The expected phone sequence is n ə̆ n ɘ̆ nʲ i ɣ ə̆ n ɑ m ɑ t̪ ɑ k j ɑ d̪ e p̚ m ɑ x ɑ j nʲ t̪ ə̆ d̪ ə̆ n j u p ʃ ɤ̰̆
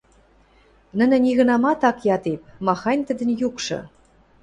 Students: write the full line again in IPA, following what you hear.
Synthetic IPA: n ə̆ n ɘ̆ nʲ i ɣ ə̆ n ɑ m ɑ t̪ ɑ k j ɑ t̪ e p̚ m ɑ x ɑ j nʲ t̪ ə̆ d̪ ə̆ n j u k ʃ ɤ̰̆